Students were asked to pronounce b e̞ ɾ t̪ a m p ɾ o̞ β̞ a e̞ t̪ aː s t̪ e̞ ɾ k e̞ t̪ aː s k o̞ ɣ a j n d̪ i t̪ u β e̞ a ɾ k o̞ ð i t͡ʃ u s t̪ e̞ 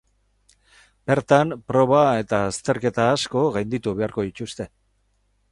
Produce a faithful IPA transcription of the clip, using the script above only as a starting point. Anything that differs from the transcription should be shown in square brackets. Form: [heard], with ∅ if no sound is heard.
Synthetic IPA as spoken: b e̞ ɾ t̪ a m p ɾ o̞ β̞ a e̞ t̪ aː s t̪ e̞ ɾ k e̞ t̪ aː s k o̞ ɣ a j n d̪ i t̪ u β e̞ a ɾ k o̞ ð i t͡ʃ u s t̪ e̞

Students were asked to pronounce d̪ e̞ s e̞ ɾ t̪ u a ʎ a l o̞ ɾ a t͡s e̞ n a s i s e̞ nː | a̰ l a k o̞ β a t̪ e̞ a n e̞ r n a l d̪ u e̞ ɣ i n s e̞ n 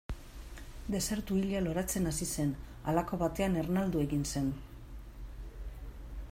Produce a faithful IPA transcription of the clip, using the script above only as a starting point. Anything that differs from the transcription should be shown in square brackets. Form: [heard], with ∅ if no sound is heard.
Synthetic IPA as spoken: d̪ e̞ s e̞ ɾ t̪ u [i] ʎ a l o̞ ɾ a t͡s e̞ n a s i s e̞ [n] | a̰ l a k o̞ β a t̪ e̞ a n e̞ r n a l d̪ u e̞ ɣ i n s e̞ n

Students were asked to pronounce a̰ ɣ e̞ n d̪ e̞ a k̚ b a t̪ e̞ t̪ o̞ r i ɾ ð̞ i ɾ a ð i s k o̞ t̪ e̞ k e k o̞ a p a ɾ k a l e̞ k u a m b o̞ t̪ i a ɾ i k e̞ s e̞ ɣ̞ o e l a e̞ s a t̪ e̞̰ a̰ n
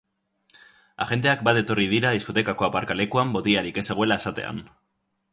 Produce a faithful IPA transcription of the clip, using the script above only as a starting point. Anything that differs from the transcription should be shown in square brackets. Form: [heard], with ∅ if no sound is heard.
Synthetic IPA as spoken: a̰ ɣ e̞ n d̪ e̞ a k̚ b a t̪ e̞ t̪ o̞ r i [∅] ð̞ i ɾ a ð i s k o̞ t̪ e̞ k [a] k o̞ a p a ɾ k a l e̞ k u a m b o̞ t̪ i a ɾ i k e̞ s e̞ ɣ̞ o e l a e̞ s a t̪ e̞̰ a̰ n

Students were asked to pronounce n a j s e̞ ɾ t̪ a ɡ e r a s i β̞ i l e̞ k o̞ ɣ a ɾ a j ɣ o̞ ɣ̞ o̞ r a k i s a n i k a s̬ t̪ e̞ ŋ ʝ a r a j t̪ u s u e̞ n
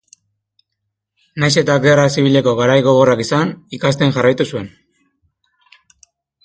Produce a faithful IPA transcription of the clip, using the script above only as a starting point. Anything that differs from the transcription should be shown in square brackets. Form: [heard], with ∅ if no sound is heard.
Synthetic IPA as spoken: n a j s e̞ [∅] t̪ a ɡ e r a s i β̞ i l e̞ k o̞ ɣ a ɾ a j ɣ o̞ ɣ̞ o̞ r a k i s a n i k a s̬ t̪ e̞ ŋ ʝ a r a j t̪ u s u e̞ n

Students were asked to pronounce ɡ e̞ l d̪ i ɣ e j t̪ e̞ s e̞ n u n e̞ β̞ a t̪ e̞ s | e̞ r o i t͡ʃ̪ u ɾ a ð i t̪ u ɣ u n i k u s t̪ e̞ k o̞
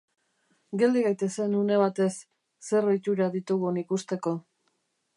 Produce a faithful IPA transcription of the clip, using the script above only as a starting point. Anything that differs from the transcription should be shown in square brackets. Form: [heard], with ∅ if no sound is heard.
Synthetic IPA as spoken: ɡ e̞ l d̪ i ɣ [a] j t̪ e̞ s e̞ n u n e̞ β̞ a t̪ e̞ [sː] | e̞ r o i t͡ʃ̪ u ɾ a ð i t̪ u ɣ u n i k u s t̪ e̞ k o̞

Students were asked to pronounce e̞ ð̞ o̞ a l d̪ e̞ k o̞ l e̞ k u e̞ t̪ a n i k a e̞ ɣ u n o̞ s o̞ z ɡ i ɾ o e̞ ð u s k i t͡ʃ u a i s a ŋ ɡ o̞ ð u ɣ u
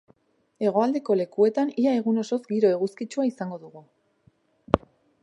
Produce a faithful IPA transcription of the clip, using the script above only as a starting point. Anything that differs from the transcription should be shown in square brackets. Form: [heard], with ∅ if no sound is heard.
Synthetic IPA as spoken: e̞ [ɣ̞] o̞ a l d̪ e̞ k o̞ l e̞ k u e̞ t̪ a n i [∅] a e̞ ɣ u n o̞ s o̞ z ɡ i ɾ o e̞ [ɣ] u s k i t͡ʃ u a i s a ŋ ɡ o̞ ð u ɣ u

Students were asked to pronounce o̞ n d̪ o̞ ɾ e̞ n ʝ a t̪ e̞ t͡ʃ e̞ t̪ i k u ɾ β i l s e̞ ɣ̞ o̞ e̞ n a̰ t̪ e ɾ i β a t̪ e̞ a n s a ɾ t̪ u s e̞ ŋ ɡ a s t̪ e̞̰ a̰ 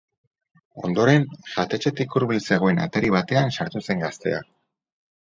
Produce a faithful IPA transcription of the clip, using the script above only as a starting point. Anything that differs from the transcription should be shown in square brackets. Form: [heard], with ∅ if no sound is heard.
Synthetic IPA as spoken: o̞ n d̪ o̞ ɾ e̞ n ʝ a t̪ e̞ t͡ʃ e̞ t̪ i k u ɾ β i l s e̞ ɣ̞ o̞ e̞ n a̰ t̪ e ɾ i β a t̪ e̞ a n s a ɾ t̪ u s e̞ ŋ ɡ a s t̪ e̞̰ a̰

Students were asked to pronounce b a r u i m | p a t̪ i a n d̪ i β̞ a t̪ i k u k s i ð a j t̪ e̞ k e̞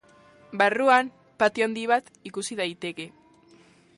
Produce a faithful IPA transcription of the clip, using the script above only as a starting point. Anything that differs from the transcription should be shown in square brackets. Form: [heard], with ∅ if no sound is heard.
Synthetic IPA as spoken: b a r u [a] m | p a t̪ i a n d̪ i β̞ a t̪ i k u [∅] s i ð a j t̪ e̞ k e̞

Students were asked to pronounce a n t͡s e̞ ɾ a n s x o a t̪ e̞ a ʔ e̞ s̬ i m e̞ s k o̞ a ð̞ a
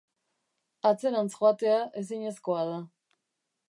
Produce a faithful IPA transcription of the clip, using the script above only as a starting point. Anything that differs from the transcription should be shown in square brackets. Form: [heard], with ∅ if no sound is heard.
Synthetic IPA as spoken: a [∅] t͡s e̞ ɾ a n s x o a t̪ e̞ a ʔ e̞ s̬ i [ɲ] e̞ s k o̞ a ð̞ a

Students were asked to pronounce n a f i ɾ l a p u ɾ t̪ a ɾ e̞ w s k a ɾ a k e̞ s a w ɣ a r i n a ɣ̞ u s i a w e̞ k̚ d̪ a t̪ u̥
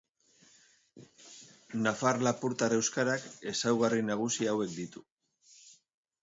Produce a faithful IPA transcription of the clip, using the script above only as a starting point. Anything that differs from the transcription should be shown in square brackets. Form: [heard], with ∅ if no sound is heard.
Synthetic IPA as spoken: n a f [a] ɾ l a p u ɾ t̪ a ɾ e̞ w s k a ɾ a k e̞ s a w ɣ a r i n a ɣ̞ u s i a w e̞ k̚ d̪ [i] t̪ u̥

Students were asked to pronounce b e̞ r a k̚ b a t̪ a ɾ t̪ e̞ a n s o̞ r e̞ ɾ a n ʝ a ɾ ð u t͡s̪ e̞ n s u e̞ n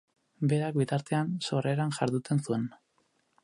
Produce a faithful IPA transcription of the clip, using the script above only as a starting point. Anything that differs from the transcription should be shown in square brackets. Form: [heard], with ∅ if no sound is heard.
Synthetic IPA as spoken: b e̞ [ɾ] a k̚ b [i] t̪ a ɾ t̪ e̞ a n s o̞ r e̞ ɾ a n ʝ a ɾ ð u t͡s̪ e̞ n s u e̞ n

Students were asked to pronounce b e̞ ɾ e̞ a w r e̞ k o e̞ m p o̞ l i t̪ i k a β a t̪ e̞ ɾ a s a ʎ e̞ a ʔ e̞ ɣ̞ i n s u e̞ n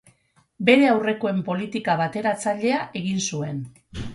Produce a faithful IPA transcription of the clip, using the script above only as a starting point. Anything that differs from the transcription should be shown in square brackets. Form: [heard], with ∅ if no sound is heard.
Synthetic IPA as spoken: b e̞ ɾ e̞ a w r e̞ k o e̞ m p o̞ l i t̪ i k a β a t̪ e̞ ɾ a [t͡s] a ʎ e̞ a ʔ e̞ ɣ̞ i n s u e̞ n

